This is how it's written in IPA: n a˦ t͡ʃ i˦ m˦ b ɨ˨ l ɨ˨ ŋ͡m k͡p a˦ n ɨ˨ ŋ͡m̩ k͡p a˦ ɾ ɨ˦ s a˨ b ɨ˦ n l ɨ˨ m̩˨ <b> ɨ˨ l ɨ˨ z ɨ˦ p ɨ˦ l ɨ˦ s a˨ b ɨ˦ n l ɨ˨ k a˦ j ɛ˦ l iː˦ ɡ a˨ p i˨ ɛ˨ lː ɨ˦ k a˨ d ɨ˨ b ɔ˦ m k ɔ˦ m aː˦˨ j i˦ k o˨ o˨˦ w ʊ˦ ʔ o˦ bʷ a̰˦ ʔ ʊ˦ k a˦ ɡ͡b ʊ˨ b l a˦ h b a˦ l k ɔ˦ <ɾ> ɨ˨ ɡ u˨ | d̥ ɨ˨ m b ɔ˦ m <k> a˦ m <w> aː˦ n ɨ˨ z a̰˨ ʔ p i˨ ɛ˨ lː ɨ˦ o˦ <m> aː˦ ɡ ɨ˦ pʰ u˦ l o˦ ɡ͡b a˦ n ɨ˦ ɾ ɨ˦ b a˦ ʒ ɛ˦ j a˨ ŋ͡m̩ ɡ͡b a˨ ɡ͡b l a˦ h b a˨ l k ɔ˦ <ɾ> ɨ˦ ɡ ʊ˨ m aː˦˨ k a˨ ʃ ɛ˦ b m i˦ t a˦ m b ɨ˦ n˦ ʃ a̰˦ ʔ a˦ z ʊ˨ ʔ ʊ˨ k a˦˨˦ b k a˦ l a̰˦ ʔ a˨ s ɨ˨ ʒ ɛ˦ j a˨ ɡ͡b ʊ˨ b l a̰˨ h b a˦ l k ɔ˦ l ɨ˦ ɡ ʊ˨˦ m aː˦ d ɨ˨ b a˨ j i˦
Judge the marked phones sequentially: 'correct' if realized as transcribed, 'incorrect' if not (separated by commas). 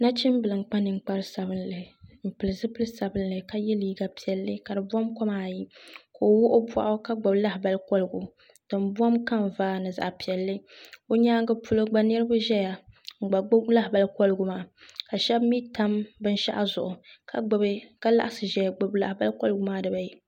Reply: incorrect, incorrect, correct, incorrect, incorrect, incorrect